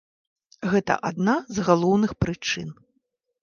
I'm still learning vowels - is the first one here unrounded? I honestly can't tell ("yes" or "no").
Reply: yes